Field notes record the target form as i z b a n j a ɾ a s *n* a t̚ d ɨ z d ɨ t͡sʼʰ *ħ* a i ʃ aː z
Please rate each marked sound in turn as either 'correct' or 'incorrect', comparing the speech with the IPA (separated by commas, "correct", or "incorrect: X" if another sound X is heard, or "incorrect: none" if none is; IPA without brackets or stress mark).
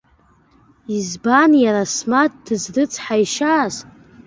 incorrect: m, correct